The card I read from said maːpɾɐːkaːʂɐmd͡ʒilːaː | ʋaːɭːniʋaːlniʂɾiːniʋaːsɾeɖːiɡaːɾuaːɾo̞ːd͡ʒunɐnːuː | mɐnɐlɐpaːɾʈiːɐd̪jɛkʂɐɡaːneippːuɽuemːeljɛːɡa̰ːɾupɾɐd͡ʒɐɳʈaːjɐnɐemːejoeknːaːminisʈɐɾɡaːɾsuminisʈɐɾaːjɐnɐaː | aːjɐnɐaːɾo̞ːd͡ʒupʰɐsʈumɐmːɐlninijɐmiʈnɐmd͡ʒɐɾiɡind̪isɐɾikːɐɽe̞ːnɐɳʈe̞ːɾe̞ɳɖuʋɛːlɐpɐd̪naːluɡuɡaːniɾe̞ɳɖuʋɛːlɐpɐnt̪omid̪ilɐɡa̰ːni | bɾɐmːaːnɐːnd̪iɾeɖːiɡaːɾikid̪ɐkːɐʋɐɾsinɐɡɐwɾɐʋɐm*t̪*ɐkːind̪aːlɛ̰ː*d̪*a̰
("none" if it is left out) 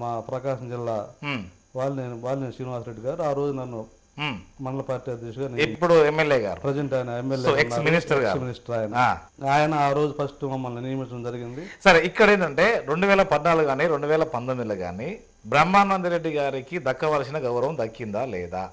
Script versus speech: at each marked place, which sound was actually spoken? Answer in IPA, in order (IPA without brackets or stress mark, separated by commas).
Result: d̪, d̪